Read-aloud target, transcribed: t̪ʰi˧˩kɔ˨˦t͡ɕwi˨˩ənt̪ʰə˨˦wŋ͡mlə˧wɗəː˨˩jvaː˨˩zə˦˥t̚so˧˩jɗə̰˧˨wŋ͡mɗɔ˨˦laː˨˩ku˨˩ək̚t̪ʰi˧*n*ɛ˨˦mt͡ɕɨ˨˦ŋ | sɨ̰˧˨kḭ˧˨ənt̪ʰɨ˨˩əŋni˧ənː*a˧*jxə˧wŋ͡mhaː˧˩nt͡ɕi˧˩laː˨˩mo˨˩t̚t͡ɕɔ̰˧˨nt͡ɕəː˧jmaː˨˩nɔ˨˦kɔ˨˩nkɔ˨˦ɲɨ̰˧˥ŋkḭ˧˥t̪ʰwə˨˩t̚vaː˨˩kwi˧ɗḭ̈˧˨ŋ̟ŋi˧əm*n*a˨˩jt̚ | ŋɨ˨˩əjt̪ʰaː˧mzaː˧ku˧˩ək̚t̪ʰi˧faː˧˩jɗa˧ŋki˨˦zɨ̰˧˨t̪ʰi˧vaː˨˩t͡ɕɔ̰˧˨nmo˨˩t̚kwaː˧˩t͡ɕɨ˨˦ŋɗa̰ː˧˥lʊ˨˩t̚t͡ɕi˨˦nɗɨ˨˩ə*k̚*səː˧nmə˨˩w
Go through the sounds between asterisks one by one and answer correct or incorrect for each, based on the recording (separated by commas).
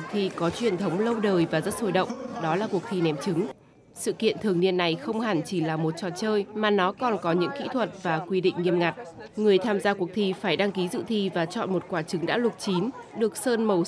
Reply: correct, incorrect, incorrect, correct